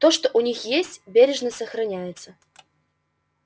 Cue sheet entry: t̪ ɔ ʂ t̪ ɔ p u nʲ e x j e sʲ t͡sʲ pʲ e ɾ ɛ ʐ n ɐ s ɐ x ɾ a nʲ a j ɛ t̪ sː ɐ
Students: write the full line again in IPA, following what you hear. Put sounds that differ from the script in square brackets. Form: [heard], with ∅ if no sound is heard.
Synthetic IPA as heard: t̪ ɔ ʂ t̪ ɔ [ʔ] u nʲ [i] x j e sʲ t͡sʲ [bʲ] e ɾ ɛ ʐ n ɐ s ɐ x ɾ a nʲ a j ɛ t̪ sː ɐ